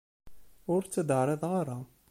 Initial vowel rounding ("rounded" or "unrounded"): rounded